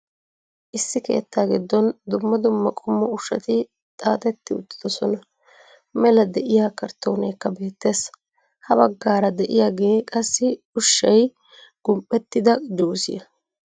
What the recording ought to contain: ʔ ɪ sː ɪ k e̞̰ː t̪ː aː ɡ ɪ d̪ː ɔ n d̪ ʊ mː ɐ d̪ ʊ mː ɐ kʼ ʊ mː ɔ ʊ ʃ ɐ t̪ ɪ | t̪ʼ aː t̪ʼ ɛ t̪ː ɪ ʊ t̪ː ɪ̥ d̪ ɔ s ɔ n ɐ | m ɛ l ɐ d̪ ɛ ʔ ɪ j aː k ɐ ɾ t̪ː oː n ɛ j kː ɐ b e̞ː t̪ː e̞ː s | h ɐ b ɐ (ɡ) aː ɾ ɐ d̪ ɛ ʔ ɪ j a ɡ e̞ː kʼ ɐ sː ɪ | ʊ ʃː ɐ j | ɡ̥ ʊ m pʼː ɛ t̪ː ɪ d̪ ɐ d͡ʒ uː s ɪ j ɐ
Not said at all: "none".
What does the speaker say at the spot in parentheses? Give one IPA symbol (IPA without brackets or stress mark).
ɡː